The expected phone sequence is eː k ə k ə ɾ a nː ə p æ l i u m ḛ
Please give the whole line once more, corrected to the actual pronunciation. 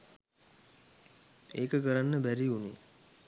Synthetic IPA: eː k ə k ə ɾ a nː ə b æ ɾ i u n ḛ